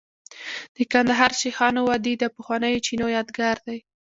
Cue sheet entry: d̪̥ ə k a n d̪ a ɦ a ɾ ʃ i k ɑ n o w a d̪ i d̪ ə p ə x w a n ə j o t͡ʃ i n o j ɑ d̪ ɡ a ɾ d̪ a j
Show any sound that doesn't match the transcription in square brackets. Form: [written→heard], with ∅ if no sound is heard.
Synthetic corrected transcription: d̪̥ ə k a n d̪ a ɦ [a→ɑ] ɾ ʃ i [k→x] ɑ n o w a d̪ i d̪ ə p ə x w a n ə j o t͡ʃ i n o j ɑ d̪ ɡ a ɾ d̪ a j